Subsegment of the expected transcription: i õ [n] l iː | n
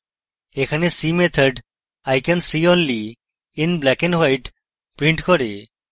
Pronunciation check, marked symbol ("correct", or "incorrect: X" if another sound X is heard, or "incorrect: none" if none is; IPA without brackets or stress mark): correct